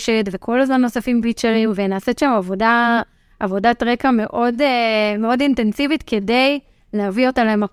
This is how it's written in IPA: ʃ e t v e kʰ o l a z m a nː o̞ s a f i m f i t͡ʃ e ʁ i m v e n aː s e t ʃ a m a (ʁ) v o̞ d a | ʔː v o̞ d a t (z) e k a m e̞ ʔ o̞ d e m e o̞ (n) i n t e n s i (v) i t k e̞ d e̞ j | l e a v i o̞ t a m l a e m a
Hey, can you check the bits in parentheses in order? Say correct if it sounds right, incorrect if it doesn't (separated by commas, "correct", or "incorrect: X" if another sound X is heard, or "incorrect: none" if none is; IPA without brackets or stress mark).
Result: incorrect: none, incorrect: ʁ, incorrect: d, correct